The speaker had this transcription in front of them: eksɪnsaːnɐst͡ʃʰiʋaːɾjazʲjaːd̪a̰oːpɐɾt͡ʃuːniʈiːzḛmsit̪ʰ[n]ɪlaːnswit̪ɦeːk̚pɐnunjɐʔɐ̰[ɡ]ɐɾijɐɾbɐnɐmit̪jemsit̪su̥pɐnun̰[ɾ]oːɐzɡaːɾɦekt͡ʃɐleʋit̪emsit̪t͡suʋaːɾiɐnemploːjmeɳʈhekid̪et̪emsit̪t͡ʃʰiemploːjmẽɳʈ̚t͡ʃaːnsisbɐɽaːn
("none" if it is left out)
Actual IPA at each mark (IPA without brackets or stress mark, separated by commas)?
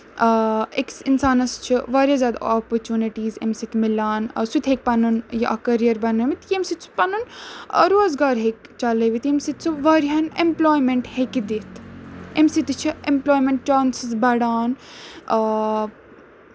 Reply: m, k, ɾ